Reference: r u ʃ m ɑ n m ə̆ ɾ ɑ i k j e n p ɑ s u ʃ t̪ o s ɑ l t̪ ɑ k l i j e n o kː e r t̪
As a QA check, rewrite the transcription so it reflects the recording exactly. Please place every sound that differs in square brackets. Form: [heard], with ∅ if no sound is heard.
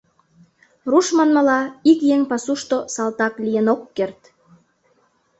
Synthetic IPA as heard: r u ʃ m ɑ n m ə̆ [l] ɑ i k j e [ŋ] p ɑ s u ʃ t̪ o s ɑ l t̪ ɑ k l i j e n o kː e r t̪